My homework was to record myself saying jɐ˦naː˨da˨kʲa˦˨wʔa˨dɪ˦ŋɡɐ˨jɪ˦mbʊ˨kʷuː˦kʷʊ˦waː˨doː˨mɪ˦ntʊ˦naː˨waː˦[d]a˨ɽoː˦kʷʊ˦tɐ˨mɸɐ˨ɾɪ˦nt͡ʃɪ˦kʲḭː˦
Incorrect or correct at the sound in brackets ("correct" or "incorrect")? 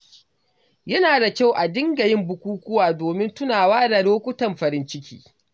correct